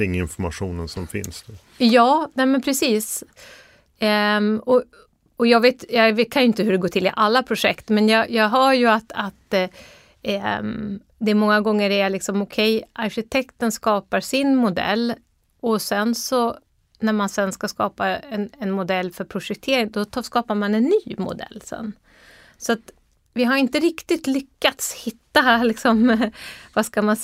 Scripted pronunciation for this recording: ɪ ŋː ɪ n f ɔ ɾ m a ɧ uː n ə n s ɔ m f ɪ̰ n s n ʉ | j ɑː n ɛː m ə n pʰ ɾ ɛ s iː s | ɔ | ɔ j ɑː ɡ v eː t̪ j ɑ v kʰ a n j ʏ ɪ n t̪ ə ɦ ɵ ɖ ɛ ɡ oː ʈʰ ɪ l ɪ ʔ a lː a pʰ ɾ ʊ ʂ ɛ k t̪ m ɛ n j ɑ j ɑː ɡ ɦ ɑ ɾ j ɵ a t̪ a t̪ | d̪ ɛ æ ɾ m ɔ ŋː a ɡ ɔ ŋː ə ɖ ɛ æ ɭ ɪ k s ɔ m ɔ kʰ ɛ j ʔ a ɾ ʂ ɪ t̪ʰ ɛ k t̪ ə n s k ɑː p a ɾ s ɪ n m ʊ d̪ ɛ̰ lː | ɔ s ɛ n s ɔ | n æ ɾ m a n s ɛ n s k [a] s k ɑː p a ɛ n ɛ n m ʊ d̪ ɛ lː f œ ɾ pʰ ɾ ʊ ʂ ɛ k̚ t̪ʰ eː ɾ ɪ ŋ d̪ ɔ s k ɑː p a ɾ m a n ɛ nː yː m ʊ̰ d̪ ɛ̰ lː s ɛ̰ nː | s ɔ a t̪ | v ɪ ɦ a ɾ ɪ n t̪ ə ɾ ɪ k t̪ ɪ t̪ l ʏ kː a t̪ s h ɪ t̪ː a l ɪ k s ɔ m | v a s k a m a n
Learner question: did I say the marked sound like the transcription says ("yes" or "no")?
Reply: yes